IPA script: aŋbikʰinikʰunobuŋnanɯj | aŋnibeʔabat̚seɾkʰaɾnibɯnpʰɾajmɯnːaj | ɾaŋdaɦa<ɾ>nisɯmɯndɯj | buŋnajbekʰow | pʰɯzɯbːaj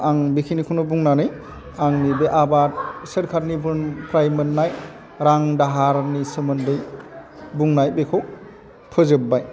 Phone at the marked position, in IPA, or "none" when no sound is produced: ɾ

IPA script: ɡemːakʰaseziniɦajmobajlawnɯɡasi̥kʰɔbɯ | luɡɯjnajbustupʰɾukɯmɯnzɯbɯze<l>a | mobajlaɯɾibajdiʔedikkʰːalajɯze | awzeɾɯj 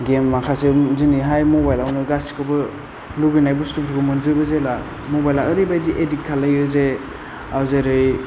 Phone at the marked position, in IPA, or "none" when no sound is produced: l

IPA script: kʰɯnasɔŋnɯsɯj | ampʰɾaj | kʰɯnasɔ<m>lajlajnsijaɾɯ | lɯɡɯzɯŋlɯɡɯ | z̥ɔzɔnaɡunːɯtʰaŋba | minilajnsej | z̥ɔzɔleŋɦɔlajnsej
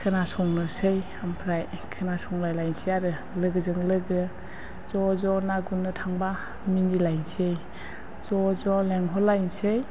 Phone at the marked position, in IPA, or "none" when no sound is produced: ŋ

